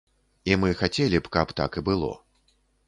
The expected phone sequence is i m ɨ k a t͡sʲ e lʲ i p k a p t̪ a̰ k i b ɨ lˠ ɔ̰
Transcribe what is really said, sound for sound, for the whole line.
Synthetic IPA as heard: i m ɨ x a t͡sʲ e lʲ i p k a p t̪ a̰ k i b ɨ lˠ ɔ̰